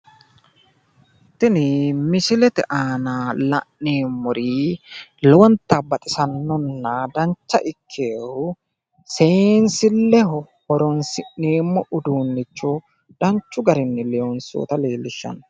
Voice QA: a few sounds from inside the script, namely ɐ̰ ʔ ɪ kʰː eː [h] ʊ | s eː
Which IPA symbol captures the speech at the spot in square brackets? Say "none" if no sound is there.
h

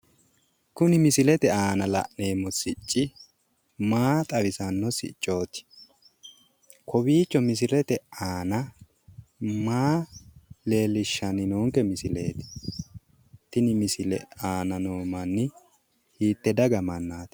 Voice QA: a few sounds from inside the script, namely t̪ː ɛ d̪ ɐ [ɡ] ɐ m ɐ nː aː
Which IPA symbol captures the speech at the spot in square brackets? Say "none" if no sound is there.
ɡ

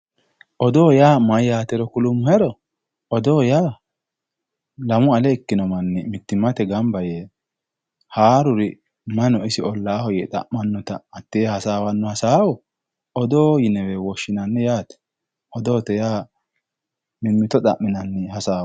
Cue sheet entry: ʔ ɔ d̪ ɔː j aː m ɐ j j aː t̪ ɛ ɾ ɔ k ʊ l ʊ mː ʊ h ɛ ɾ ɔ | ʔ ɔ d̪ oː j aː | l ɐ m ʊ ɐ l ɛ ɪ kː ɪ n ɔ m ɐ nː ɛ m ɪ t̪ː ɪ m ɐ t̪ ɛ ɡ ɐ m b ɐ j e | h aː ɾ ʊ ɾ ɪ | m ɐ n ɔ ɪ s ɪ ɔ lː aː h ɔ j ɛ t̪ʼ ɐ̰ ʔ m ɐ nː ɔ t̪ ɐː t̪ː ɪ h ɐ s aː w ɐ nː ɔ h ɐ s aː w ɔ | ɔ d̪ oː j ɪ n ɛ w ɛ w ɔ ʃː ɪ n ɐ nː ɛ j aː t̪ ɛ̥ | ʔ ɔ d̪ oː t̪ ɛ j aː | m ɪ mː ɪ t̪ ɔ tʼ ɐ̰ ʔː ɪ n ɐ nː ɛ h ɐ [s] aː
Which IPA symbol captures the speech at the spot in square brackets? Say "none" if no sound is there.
s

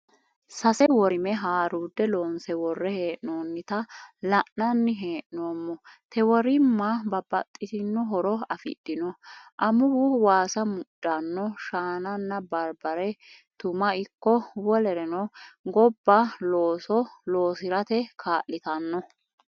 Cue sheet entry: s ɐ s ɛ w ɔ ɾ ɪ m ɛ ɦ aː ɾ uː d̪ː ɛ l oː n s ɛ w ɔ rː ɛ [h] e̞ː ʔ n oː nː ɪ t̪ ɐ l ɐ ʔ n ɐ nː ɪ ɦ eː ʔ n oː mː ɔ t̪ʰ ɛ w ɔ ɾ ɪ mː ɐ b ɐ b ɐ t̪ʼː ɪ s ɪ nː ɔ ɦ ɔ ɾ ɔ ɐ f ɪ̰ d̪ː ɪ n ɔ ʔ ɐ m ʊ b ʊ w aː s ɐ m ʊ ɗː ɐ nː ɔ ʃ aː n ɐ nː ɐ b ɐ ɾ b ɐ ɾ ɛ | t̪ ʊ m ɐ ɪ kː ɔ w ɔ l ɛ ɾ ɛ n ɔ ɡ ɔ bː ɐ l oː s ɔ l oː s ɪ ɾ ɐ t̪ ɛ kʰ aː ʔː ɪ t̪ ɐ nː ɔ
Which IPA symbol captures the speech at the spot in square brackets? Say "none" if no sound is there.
h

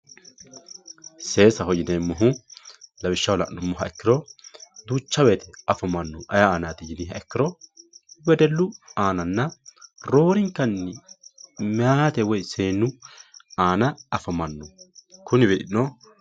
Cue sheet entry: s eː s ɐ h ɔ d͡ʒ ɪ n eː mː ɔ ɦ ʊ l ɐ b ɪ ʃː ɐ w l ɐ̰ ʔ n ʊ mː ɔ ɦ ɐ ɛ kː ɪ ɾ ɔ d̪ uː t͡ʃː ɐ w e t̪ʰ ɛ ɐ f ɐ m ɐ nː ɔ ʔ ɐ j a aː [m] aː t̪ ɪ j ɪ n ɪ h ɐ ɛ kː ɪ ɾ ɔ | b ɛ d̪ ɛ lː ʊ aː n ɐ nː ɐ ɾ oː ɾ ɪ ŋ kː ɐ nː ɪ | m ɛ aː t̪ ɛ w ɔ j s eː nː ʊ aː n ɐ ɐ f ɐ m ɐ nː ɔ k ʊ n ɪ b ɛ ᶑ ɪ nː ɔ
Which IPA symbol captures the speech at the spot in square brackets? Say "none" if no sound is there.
n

